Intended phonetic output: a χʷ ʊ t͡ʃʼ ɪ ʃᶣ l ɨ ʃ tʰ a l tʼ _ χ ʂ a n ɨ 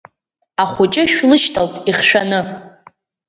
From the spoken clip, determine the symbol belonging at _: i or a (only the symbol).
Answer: i